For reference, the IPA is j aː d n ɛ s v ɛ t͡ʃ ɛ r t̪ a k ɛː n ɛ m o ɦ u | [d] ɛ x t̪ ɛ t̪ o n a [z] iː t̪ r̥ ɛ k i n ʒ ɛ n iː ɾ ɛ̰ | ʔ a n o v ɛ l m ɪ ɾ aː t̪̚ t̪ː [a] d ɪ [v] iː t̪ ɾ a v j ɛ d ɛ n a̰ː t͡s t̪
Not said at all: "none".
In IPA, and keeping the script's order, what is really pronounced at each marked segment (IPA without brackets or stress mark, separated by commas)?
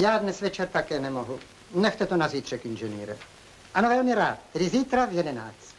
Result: n, z, ɛ, z